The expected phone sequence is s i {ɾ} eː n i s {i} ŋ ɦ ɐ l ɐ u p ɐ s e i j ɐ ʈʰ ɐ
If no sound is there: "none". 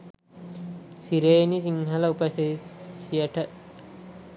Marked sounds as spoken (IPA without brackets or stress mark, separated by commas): ɾ, i